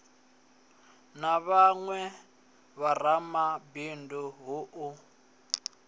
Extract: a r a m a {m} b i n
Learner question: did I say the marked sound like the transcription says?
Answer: no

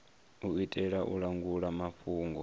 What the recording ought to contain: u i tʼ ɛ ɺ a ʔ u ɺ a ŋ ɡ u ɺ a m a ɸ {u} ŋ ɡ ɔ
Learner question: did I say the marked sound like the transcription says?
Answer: no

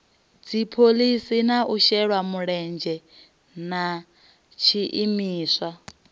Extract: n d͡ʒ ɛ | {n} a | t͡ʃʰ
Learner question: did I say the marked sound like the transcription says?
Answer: yes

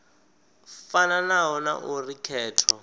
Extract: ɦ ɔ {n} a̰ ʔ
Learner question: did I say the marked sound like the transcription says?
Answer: yes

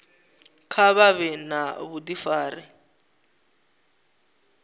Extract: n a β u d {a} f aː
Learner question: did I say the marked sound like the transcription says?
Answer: no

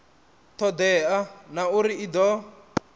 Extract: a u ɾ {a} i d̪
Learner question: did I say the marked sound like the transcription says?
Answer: no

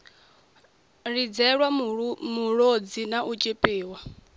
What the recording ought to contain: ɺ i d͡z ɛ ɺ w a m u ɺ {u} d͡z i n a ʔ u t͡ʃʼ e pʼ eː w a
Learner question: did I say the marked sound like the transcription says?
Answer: no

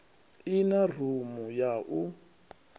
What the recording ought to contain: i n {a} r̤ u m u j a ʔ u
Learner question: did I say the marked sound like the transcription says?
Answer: yes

